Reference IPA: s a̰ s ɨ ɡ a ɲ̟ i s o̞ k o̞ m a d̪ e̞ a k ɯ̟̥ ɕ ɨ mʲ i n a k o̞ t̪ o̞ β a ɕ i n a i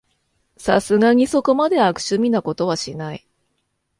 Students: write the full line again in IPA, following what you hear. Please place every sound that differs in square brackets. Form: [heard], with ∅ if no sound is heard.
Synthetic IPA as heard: s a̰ s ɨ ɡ a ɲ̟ i s o̞ k o̞ m a d̪ e̞ a k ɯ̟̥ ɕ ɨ mʲ i n a k o̞ t̪ o̞ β a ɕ i n a i